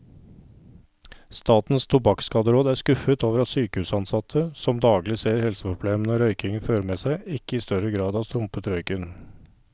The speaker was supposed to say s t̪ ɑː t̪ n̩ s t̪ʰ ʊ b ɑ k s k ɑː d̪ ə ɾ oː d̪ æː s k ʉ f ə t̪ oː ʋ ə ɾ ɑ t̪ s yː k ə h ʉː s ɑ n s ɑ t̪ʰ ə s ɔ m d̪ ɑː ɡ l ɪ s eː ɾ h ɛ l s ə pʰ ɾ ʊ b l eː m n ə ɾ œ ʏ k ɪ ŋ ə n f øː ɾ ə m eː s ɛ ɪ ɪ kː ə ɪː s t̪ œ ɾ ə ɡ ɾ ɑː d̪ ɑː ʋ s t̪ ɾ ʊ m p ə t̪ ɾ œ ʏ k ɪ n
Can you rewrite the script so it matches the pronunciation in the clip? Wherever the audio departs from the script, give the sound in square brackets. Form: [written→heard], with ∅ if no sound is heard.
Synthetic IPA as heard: s t̪ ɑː t̪ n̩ s t̪ʰ ʊ b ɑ k s k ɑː d̪ ə ɾ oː d̪ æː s k ʉ f ə t̪ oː ʋ ə ɾ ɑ t̪ s yː k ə h ʉː s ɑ n s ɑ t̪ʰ ə s ɔ m d̪ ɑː ɡ l ɪ s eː ɾ h ɛ l s ə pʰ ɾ ʊ b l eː m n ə ɾ œ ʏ k ɪ ŋ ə n f øː ɾ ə m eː s [ɛ→æ] ɪ ɪ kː ə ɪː s t̪ œ ɾ ə ɡ ɾ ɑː d̪ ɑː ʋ s t̪ ɾ ʊ m p ə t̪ ɾ œ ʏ k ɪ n